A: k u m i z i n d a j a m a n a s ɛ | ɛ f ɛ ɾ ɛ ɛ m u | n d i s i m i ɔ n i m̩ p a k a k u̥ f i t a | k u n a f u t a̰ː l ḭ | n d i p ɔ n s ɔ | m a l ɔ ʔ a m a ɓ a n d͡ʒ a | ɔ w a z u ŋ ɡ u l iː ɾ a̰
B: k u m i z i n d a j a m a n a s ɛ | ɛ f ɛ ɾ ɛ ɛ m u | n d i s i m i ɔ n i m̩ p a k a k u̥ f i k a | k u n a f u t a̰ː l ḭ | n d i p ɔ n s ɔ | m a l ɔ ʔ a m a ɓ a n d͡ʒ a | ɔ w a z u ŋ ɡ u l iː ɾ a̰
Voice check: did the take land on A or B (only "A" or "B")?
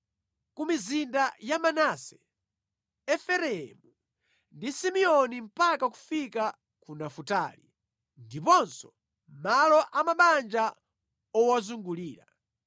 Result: B